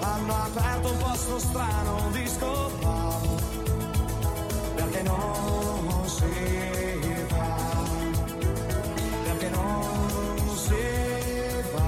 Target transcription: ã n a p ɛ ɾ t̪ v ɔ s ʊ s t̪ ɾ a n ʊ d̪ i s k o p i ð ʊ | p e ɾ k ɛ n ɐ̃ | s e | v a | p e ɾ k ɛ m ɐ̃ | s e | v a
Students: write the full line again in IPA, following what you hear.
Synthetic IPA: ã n a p ɛ ɾ t̪ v ɔ s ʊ s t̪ ɾ a n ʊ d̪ i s k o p a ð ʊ | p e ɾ k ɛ n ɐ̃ | s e | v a | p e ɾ k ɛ n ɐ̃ | s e | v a